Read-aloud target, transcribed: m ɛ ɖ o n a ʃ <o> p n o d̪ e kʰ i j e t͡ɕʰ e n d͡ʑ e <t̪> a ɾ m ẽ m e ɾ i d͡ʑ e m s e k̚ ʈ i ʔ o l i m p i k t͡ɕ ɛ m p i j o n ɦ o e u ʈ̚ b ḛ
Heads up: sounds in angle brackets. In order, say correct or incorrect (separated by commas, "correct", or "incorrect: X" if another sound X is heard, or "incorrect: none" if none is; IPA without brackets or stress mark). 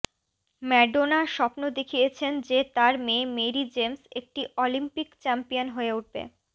incorrect: ɔ, correct